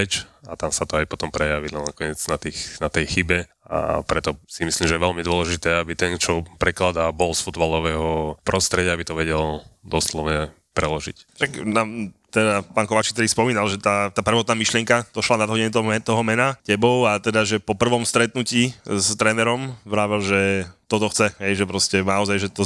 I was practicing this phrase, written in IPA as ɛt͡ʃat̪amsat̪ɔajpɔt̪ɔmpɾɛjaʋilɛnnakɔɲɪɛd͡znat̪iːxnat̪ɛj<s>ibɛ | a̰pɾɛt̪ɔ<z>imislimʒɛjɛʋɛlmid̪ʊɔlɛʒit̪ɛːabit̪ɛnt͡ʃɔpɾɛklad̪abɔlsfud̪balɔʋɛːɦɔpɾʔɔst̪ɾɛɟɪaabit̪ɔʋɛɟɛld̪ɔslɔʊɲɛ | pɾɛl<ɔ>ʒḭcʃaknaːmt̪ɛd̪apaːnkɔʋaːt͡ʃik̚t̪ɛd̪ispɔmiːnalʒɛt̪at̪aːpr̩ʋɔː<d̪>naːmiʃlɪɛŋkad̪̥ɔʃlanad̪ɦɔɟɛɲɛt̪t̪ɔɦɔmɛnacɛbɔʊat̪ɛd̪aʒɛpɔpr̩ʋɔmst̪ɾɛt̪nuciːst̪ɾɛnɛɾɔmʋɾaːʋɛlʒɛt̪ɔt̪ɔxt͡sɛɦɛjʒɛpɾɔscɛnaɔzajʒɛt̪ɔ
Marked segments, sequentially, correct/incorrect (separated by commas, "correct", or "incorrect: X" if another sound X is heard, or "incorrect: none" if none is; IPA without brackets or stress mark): incorrect: x, incorrect: s, correct, incorrect: t̪